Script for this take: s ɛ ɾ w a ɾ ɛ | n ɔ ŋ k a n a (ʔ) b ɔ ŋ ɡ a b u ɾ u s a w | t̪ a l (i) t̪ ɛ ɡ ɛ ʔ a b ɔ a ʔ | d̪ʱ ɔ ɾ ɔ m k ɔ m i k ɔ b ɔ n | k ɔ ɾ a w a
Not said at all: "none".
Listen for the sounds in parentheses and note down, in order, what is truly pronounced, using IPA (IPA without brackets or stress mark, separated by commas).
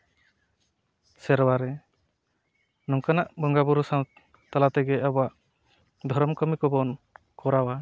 ʔ, a